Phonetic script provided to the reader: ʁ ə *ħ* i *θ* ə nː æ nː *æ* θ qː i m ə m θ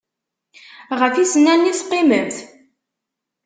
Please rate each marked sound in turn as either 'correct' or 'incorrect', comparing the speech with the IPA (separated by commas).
incorrect, incorrect, incorrect